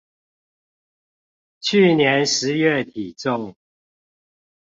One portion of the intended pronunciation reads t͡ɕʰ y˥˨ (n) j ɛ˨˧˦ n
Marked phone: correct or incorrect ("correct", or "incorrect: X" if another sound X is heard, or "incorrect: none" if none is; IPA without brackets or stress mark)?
correct